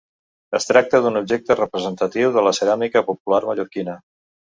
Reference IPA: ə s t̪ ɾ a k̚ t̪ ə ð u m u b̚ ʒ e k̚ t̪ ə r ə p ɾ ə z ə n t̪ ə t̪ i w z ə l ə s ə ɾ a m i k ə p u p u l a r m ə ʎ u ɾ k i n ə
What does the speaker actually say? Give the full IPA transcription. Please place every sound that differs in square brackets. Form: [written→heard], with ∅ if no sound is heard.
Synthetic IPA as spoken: ə s t̪ ɾ a k̚ t̪ ə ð u [m→n] u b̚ ʒ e k̚ t̪ ə r ə p ɾ ə z ə n t̪ ə t̪ i w [z→ð] ə l ə s ə ɾ a m i k ə p u p u l a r m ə ʎ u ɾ k i n ə

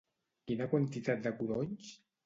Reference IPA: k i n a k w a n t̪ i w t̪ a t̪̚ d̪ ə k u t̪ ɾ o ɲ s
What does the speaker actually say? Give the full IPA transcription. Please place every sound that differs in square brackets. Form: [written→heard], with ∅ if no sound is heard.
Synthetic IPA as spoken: k i n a k w a n t̪ i [w→∅] t̪ a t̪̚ d̪ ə k u [t̪→∅] ɾ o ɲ s

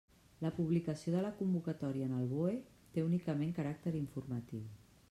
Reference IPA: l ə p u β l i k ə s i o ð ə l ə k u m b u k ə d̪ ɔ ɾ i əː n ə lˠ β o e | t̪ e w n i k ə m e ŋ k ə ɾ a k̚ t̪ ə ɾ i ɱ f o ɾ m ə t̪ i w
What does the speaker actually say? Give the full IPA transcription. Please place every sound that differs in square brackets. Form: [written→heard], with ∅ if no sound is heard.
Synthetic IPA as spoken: l ə p u β l i k ə s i o ð ə l ə k u m b u k ə [d̪→t̪] ɔ ɾ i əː n ə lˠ β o e | t̪ e [w→u] n i k ə m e ŋ k ə ɾ a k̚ t̪ ə ɾ i ɱ f [o→u] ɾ m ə t̪ i w

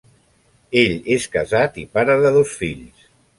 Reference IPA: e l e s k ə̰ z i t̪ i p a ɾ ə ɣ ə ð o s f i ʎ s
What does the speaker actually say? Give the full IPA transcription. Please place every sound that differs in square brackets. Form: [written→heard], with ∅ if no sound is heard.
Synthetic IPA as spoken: e [l→ʎ] e s k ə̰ z [i→a] t̪ i p a ɾ ə [ɣ→ð] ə ð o s f i ʎ s

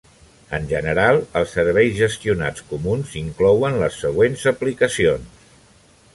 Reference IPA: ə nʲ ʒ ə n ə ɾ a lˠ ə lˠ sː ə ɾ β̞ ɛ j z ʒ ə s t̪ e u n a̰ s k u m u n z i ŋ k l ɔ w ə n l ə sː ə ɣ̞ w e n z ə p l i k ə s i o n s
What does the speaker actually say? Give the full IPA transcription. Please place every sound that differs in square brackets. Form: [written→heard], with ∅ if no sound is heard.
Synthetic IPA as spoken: ə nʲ ʒ ə n ə ɾ a lˠ ə lˠ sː ə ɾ β̞ ɛ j z ʒ ə s t̪ [e→i] u n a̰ [s→t͡s] k u m u n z i ŋ k l ɔ w ə n l ə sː ə ɣ̞ w e n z ə p l i k ə s i o n s

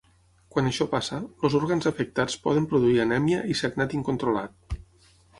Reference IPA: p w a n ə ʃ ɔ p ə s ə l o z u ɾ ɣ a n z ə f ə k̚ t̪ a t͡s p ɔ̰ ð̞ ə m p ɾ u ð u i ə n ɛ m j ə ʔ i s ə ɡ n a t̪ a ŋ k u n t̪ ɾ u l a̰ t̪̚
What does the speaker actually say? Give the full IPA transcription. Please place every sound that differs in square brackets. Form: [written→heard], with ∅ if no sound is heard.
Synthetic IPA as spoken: [p→k] w a n ə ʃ ɔ p [ə→a] s ə l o z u ɾ ɣ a n z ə f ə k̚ t̪ a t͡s p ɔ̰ ð̞ ə m p ɾ u ð u i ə n ɛ m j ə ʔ i s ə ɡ n a t̪ [a→i] ŋ k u n t̪ ɾ u l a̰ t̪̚

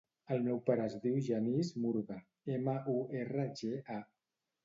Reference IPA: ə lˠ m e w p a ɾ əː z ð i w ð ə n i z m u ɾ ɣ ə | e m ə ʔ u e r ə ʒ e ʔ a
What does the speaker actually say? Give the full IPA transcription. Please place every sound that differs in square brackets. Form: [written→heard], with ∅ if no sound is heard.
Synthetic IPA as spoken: ə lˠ m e w p a ɾ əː z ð i w [ð→ʒ] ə n i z m u ɾ ɣ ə | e m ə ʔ u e r ə ʒ e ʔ a

